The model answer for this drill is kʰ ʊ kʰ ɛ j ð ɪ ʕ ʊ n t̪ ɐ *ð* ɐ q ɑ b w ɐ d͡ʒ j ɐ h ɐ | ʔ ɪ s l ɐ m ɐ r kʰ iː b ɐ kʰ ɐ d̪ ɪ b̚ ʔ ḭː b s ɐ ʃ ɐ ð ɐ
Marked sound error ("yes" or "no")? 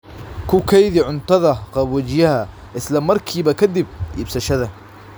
no